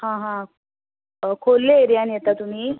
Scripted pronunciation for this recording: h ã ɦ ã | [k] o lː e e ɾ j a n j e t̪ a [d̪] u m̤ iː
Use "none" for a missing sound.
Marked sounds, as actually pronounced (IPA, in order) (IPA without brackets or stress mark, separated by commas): kʰ, t̪